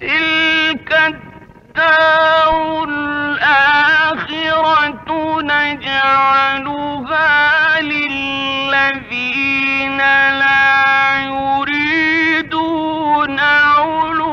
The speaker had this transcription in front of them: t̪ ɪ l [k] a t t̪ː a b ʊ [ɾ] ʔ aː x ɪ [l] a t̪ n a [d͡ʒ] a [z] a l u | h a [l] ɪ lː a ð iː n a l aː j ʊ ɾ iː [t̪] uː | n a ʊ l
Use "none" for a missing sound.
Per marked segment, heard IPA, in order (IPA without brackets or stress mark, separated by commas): k, l, ɾ, d͡ʒ, ʕ, l, d̪